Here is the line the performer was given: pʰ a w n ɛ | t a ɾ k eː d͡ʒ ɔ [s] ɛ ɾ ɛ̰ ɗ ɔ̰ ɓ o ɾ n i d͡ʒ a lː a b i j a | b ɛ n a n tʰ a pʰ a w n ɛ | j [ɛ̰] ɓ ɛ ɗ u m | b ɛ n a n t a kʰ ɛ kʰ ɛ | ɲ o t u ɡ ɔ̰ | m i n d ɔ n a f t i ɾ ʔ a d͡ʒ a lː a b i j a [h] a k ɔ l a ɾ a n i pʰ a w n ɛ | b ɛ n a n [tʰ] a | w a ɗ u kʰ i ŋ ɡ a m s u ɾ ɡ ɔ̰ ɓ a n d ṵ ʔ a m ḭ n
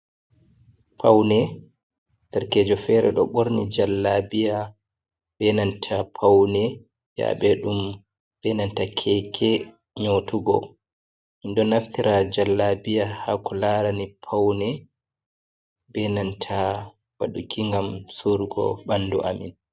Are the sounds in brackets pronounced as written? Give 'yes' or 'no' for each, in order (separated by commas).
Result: no, no, yes, yes